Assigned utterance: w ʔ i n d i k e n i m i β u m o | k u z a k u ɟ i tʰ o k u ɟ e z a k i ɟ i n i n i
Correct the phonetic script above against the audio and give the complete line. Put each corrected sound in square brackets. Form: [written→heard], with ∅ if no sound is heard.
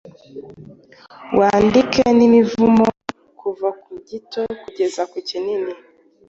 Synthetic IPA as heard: w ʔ [i→a] n d i k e n i m i [β→v] u m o | k u [z→v] a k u ɟ i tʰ o k u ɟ e z a k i [ɟ→c] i n i n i